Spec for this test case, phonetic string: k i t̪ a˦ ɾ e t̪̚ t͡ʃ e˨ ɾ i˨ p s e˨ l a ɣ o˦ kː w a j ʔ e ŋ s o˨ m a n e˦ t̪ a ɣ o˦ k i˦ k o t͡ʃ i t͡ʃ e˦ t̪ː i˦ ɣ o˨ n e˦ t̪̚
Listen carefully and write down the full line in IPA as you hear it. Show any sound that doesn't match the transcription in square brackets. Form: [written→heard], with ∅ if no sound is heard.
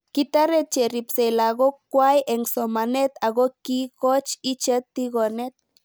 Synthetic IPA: k i t̪ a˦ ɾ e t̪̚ t͡ʃ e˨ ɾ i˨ p s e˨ l a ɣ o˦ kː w a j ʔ e ŋ s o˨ m a n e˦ t̪ a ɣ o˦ k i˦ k o t͡ʃ i t͡ʃ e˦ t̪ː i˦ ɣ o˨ n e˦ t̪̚